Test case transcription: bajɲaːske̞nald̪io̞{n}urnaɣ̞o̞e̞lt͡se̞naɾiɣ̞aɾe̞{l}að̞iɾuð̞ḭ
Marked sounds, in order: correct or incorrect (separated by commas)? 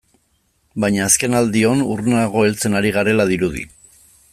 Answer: correct, correct